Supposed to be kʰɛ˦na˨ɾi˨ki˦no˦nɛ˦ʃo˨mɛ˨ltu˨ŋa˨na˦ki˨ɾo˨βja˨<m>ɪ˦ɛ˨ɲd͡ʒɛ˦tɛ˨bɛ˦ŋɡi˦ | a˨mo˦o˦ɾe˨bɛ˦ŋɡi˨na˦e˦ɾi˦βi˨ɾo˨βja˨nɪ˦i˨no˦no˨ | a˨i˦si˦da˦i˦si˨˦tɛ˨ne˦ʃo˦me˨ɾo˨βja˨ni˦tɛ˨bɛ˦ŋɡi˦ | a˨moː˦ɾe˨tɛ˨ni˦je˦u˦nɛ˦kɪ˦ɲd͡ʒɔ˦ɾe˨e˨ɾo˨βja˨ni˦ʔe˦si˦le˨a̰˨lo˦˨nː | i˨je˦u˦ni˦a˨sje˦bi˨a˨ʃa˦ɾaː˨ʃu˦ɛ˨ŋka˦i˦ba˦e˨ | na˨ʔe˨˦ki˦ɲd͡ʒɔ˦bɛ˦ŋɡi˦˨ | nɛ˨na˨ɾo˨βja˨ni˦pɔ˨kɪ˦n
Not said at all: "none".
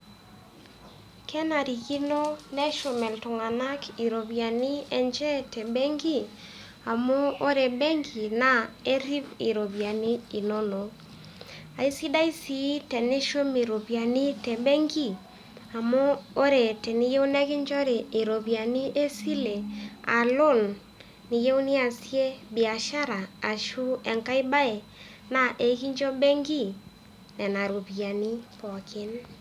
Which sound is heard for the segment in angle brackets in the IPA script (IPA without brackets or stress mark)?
n